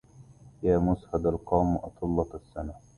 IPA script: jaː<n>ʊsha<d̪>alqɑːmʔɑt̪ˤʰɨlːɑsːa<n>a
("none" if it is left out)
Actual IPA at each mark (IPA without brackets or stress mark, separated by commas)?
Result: m, d̪, n